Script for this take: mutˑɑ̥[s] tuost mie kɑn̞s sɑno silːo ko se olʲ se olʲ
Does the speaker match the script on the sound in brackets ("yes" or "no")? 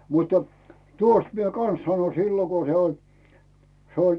no